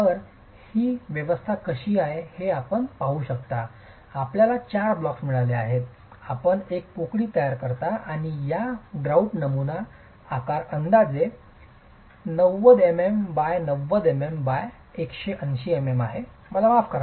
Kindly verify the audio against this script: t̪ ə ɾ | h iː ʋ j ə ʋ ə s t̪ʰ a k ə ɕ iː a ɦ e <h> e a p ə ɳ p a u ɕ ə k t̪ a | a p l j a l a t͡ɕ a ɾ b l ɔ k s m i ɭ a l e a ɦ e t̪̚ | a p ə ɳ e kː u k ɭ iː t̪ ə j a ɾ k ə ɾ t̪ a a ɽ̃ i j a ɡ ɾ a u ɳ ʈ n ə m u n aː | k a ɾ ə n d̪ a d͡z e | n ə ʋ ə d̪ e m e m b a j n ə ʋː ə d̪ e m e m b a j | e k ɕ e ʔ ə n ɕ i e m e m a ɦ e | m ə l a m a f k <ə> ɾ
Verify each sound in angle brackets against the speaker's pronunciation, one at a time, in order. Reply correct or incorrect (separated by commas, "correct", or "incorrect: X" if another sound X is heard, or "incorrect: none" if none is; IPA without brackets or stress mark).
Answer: correct, correct